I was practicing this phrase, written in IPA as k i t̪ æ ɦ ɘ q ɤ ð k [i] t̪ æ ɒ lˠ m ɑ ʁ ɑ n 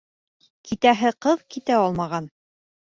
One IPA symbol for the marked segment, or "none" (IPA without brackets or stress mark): i